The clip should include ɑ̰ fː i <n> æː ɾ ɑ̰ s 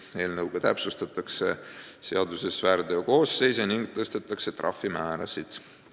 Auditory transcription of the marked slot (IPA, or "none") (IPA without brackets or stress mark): m